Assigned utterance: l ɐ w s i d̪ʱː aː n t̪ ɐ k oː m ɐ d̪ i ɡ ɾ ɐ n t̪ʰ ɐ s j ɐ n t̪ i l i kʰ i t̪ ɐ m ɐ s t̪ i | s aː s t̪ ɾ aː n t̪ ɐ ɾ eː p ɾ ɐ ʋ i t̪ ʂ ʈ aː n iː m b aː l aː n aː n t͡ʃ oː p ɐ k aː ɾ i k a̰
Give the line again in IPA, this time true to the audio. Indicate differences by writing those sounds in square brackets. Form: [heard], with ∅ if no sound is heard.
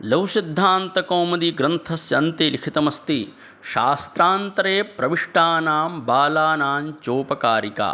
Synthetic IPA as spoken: l ɐ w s i d̪ʱː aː n t̪ ɐ k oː m ɐ d̪ i ɡ ɾ ɐ n t̪ʰ ɐ s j ɐ n t̪ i l i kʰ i t̪ ɐ m ɐ s t̪ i | [ʃ] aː s t̪ ɾ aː n t̪ ɐ ɾ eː p ɾ ɐ ʋ i [∅] ʂ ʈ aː n [aː] m b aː l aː n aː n t͡ʃ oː p ɐ k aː ɾ i k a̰